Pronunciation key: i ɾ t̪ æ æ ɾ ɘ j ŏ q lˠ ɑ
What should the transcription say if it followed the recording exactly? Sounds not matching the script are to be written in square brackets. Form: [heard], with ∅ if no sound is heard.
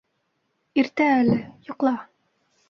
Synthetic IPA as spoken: i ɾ t̪ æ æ [l] ɘ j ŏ q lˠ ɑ